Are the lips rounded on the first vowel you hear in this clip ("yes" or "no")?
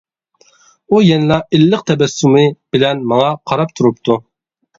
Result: yes